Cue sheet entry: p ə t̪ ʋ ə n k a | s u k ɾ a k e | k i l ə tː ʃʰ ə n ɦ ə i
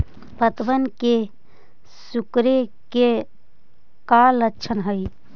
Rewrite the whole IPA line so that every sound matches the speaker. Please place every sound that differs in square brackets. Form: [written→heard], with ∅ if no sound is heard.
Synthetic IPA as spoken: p ə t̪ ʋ ə n k [a→e] | s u k ɾ [a→e] k e | k [i→a] l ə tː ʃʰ ə n ɦ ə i